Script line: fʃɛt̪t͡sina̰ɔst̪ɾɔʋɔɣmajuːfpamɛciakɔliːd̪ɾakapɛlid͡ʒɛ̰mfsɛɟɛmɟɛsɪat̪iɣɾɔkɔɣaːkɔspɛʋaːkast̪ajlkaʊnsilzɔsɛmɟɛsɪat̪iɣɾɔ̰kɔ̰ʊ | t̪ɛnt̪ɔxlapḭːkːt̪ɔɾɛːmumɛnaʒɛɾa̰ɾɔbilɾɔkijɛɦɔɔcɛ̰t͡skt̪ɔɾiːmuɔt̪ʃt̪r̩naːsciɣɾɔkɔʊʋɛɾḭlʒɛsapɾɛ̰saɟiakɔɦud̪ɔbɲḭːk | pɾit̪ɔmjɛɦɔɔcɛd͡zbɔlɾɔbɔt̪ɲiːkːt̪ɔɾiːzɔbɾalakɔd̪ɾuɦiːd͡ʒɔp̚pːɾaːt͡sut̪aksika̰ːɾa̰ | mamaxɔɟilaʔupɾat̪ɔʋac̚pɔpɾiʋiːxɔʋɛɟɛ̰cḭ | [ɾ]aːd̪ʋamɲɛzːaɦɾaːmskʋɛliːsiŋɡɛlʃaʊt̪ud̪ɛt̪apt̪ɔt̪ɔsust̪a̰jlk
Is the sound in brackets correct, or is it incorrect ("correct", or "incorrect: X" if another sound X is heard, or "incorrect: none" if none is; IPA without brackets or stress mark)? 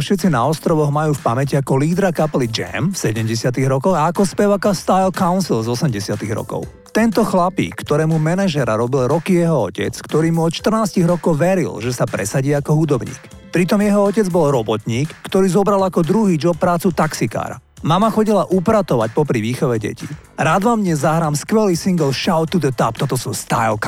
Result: correct